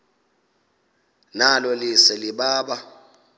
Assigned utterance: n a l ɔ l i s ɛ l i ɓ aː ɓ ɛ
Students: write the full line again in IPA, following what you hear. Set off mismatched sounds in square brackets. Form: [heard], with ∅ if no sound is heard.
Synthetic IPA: n a l ɔ l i s ɛ l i ɓ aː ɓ [a]

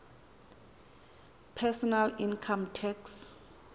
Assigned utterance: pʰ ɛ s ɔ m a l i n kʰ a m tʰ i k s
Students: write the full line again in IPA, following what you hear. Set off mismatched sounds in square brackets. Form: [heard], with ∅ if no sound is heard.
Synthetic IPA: pʰ ɛ s ɔ [n] a l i n kʰ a m tʰ [ɛ] k s

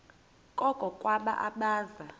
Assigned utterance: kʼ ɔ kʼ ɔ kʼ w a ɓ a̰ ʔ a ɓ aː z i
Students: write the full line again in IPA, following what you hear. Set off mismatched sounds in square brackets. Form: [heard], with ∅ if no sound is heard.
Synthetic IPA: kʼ ɔ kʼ ɔ kʼ w a ɓ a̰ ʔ a ɓ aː z [a]

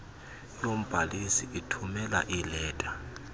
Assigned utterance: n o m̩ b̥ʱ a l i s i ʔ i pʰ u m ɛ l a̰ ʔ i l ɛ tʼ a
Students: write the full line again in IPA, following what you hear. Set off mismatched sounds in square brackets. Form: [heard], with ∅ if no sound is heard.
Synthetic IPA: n o m̩ b̥ʱ a l i s i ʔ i [tʰ] u m ɛ l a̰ ʔ i l [ɛː] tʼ a

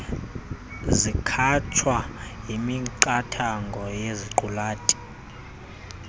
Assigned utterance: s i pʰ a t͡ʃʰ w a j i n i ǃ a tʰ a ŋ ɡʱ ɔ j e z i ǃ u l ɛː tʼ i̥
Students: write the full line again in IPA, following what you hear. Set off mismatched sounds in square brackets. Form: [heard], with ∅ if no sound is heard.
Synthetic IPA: [z] i [kʰ] a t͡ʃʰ w a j i [m] i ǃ a tʰ a ŋ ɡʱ ɔ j e z i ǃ u l [aː] tʼ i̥

